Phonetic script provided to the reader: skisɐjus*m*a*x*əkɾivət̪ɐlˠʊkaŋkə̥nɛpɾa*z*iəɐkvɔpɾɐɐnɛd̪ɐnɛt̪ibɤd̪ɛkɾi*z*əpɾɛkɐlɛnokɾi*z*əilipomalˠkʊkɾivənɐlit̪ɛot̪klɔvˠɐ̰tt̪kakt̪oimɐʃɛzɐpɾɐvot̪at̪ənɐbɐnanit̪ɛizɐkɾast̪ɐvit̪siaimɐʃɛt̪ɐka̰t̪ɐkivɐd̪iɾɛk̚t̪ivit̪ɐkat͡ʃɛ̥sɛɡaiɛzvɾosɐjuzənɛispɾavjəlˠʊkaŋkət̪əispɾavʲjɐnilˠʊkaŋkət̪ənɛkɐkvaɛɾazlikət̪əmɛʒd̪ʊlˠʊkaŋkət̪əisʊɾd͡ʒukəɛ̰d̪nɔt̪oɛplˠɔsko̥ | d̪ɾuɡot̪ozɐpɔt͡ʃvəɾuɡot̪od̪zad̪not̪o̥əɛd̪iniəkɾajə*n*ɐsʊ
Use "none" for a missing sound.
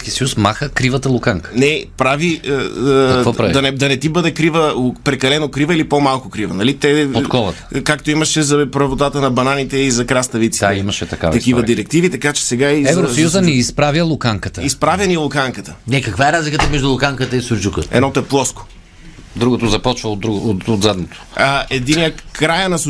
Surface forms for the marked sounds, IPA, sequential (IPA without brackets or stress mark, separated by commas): m, x, v, v, v, n